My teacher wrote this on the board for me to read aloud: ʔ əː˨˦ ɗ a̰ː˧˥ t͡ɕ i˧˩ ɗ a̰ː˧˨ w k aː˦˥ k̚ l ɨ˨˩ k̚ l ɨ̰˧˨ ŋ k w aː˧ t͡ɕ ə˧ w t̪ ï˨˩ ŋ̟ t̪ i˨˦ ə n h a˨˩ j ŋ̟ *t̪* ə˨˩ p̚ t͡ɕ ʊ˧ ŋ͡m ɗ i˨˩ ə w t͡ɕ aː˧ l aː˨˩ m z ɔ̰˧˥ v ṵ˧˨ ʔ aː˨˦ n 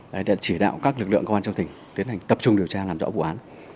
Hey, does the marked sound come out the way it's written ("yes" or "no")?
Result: yes